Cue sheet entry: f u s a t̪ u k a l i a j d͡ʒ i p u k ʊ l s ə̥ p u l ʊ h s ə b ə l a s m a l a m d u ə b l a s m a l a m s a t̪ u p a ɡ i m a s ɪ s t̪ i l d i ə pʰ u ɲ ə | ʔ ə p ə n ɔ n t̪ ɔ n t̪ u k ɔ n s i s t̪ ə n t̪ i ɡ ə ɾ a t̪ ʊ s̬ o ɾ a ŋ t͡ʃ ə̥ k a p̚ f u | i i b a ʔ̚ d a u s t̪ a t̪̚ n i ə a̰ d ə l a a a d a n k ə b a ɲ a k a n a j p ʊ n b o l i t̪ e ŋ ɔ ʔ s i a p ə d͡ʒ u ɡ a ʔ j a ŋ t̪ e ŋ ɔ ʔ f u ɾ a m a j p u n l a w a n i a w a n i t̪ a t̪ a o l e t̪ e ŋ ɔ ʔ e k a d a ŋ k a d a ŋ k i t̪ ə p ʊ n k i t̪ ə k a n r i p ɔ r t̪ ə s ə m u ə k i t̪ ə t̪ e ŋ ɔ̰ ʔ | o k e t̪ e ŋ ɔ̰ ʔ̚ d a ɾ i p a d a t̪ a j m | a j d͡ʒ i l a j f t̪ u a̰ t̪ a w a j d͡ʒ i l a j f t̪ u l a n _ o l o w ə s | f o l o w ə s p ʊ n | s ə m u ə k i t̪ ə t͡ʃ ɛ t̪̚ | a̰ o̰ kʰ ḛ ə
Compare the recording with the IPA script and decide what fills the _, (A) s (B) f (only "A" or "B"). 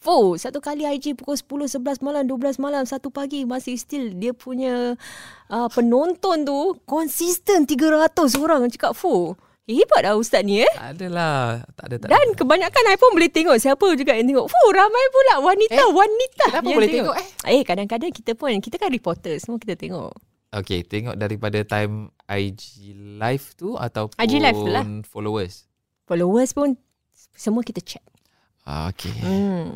B